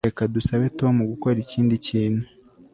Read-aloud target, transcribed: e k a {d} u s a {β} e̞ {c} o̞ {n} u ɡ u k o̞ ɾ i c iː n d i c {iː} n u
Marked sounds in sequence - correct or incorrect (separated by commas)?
correct, correct, incorrect, incorrect, correct